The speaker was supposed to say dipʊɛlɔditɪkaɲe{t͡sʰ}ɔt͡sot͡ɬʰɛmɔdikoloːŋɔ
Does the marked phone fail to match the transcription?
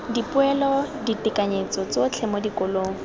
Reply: yes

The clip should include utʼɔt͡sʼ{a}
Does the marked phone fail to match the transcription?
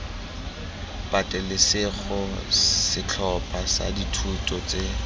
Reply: yes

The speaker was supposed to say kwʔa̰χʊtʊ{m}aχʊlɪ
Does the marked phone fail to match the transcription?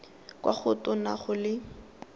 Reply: yes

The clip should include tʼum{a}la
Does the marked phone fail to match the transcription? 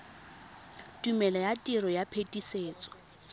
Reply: yes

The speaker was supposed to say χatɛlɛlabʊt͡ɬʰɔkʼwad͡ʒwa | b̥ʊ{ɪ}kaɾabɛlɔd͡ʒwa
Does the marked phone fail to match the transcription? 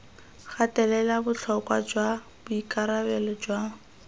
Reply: yes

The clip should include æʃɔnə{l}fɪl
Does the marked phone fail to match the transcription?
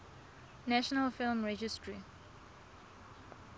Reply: no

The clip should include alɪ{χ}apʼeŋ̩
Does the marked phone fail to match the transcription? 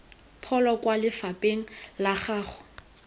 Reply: yes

